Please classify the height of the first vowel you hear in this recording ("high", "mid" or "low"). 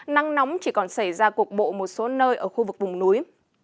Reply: low